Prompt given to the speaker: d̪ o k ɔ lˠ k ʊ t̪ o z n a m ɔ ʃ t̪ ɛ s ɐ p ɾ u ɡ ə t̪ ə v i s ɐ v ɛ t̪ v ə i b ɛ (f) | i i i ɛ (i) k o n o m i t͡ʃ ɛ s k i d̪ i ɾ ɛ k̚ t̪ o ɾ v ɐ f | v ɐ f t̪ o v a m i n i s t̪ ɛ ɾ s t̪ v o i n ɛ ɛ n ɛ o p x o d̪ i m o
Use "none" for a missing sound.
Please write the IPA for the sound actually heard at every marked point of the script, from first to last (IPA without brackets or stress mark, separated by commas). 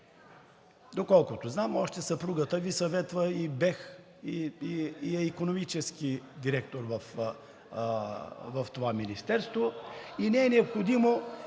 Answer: x, i